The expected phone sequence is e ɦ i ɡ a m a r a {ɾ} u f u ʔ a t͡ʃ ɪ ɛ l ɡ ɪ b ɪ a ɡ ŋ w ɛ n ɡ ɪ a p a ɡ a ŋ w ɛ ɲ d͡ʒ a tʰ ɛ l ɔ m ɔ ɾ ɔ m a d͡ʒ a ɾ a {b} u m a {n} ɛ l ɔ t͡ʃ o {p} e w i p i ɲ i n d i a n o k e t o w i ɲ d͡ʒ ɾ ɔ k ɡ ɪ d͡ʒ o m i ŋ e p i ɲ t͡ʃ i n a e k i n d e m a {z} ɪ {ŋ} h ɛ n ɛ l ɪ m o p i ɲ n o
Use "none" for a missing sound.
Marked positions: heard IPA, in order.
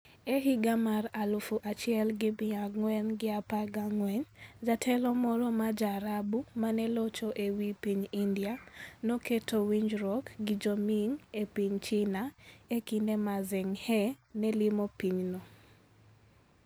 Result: l, b, n, ʔ, z, ŋ

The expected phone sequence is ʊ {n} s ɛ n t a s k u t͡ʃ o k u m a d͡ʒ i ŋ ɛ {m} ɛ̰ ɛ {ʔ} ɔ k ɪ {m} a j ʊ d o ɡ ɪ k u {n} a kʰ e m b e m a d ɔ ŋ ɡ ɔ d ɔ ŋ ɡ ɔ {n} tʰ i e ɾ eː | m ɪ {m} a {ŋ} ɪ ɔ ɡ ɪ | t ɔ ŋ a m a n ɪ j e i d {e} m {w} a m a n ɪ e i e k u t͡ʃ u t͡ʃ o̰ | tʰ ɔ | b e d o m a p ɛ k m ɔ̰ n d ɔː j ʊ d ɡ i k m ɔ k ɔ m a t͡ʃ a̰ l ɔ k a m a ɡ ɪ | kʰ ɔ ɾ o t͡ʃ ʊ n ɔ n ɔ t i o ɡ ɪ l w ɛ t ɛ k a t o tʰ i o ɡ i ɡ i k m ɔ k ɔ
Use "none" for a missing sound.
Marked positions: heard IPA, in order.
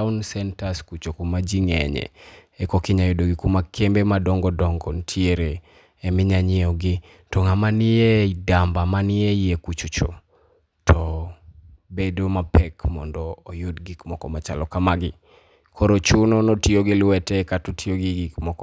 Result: n, ɲ, k, ɲ, m, n, ɲ, ɲ, a, b

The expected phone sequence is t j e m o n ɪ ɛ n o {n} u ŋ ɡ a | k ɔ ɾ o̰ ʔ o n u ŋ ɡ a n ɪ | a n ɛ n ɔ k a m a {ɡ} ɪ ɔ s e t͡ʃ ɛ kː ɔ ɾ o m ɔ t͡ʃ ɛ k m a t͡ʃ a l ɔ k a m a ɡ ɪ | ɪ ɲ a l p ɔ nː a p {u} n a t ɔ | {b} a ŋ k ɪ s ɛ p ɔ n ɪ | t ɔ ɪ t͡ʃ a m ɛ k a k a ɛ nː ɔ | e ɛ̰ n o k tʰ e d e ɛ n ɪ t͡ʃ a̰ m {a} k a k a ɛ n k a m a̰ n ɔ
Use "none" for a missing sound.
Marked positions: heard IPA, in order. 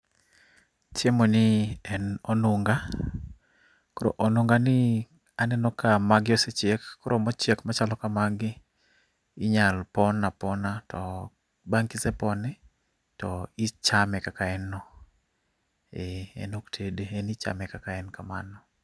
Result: n, ɡ, ɔ, b, ɛ

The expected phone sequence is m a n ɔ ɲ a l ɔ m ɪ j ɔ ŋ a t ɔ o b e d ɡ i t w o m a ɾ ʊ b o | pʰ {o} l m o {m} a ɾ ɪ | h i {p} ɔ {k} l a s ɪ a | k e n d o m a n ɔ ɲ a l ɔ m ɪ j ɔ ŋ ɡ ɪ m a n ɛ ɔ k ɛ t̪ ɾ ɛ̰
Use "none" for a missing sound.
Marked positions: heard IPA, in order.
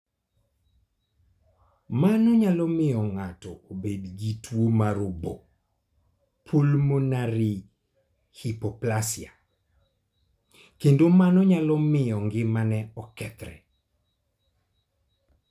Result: o, n, p, p

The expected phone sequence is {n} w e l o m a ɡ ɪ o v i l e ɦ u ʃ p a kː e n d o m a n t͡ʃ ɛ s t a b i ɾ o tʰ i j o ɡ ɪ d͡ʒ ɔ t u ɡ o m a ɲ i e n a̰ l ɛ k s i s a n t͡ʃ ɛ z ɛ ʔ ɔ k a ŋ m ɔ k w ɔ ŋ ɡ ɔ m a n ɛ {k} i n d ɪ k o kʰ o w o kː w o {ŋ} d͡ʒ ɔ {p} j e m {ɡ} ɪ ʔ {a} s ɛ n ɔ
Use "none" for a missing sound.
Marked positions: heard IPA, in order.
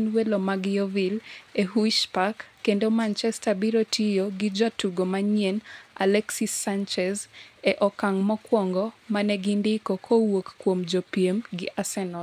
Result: n, ɡ, m, p, ɡ, a

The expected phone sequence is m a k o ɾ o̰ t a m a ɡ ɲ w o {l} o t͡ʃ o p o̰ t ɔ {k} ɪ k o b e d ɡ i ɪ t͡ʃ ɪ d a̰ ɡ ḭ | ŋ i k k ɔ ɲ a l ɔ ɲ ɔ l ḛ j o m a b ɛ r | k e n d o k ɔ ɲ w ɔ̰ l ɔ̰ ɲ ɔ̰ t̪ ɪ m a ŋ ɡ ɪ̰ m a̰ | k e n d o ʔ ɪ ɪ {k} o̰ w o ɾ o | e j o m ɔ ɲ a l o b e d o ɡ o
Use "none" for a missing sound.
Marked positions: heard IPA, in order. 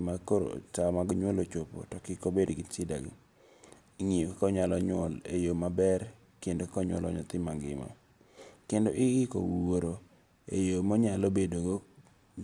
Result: l, k, k

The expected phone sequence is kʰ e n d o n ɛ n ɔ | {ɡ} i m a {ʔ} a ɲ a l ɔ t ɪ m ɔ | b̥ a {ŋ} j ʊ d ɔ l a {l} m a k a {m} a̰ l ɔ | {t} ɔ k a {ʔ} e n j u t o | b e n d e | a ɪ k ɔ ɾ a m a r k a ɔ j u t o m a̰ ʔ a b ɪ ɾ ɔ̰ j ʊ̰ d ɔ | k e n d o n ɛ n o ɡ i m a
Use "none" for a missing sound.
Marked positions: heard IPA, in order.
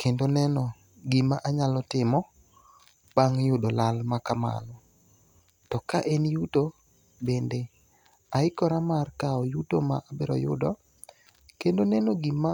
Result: ɡ, ʔ, ŋ, l, m, t, ʔ

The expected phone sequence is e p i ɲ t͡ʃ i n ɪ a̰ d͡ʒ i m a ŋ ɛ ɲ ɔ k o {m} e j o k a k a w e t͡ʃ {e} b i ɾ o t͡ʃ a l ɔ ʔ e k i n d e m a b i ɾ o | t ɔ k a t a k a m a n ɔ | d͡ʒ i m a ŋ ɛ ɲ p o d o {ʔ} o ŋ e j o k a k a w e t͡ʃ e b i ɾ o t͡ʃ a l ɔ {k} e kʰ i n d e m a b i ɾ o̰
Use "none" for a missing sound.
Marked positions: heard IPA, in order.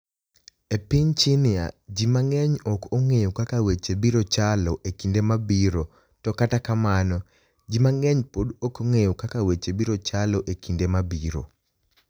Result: ŋ, e, k, ʔ

